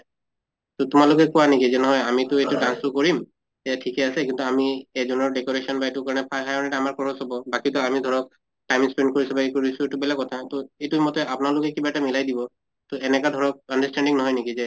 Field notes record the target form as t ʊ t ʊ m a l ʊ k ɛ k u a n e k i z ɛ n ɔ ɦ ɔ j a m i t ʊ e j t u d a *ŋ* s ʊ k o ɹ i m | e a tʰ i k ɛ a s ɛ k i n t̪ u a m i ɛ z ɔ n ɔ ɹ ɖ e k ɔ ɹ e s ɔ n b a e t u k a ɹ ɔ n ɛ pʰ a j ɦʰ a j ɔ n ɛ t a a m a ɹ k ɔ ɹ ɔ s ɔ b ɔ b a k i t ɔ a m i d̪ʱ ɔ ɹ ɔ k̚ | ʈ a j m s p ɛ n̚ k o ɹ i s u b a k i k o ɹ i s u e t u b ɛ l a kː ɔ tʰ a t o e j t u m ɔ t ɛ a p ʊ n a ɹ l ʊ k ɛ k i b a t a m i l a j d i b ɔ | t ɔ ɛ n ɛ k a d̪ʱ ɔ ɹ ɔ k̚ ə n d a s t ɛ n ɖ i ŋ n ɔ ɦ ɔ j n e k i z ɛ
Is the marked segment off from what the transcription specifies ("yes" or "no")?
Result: yes